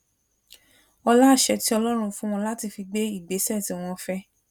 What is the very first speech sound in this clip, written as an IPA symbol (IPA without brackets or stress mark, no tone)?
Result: ɔ